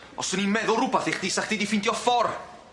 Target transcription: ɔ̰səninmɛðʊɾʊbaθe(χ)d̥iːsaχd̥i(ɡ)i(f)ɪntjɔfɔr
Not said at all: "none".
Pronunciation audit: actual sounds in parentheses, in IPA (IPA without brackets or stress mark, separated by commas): χ, d, f